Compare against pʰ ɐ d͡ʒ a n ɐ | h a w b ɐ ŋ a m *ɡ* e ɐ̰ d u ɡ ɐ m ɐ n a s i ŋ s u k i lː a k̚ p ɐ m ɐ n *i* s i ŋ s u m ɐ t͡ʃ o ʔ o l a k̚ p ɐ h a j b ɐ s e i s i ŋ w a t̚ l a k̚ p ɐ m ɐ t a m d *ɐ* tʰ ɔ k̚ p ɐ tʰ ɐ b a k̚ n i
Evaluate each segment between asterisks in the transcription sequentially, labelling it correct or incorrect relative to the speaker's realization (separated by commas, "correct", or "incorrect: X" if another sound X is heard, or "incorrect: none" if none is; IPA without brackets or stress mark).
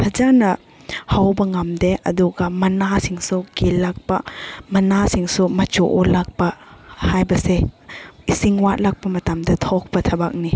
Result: incorrect: d, incorrect: a, correct